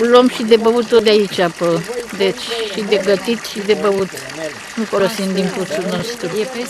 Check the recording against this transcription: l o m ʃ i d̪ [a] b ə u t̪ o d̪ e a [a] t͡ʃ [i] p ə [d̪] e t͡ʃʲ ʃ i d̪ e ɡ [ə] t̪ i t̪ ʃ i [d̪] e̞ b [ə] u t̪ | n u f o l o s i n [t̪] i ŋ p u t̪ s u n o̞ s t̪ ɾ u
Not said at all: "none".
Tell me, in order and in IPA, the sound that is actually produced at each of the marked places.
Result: e, i, a, d̪, ə, d̪, ə, d̪

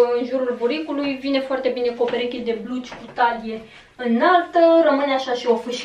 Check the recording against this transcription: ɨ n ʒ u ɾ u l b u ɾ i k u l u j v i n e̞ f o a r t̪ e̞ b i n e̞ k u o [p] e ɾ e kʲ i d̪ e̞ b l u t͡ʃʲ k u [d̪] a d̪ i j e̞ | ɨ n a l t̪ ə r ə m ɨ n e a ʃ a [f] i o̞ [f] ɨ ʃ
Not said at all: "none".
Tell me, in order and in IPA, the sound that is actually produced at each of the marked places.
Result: p, t̪, ʃ, f

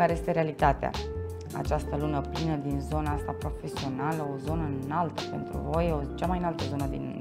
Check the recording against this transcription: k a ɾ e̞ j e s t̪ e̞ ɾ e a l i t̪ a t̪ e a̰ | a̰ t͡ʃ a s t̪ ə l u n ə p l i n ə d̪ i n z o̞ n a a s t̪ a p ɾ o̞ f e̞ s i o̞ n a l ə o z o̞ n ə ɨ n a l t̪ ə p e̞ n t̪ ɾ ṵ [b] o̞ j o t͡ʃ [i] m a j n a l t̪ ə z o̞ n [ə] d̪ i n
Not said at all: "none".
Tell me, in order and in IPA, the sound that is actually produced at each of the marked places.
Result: v, a, ə

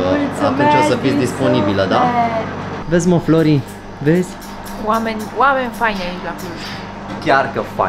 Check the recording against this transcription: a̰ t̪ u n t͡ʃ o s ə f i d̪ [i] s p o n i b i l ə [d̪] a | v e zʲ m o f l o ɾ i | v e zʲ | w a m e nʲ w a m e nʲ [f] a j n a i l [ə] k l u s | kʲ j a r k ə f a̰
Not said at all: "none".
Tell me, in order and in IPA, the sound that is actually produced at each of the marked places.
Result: i, d̪, f, a

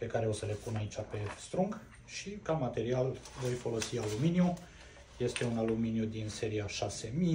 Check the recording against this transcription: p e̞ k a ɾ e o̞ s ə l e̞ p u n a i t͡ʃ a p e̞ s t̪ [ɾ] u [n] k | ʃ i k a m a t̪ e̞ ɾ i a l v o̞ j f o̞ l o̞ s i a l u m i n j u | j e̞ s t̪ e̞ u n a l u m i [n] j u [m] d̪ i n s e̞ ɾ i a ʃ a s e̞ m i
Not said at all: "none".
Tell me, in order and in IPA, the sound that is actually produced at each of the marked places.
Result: ɾ, ŋ, n, none

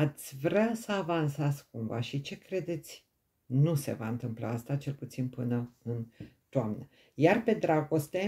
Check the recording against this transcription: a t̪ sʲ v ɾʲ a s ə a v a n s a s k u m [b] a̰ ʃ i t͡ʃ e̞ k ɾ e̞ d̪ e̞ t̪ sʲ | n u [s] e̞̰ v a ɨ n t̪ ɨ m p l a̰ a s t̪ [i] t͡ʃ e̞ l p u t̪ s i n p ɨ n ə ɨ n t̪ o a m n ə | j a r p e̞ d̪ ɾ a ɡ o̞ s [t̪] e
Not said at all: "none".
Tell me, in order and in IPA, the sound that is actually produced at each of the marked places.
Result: v, s, a, t̪

